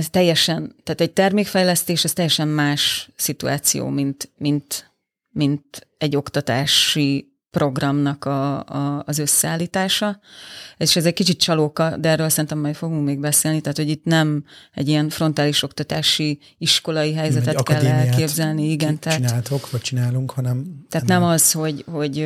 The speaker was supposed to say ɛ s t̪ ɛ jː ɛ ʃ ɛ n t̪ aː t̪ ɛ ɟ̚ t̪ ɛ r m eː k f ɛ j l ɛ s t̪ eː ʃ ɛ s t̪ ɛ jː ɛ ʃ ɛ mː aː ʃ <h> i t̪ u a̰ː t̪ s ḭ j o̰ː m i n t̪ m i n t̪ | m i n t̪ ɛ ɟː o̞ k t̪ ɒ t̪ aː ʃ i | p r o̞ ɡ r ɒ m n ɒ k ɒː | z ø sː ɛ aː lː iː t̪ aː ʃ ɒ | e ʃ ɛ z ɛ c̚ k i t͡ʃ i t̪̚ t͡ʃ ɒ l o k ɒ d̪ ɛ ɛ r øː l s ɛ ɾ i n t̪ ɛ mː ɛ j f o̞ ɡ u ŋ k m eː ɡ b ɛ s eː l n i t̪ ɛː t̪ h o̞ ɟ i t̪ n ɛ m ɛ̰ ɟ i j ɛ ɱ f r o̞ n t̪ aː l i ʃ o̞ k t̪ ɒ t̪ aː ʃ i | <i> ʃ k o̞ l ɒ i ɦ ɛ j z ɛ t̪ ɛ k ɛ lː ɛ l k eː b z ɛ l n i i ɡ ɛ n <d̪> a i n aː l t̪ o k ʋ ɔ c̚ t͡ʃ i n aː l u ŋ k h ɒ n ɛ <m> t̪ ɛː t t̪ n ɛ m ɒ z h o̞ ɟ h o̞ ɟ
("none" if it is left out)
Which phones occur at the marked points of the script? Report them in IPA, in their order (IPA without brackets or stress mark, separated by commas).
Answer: s, i, t̪, m